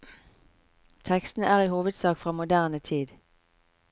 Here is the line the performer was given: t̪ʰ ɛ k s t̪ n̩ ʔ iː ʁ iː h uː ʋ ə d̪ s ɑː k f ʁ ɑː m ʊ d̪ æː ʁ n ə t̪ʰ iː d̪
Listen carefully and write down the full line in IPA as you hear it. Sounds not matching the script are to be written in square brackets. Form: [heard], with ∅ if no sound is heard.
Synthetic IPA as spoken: t̪ʰ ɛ k s t̪ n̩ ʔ [æː] ʁ iː h uː ʋ ə d̪ s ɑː k f ʁ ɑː m ʊ d̪ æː ʁ n ə t̪ʰ iː d̪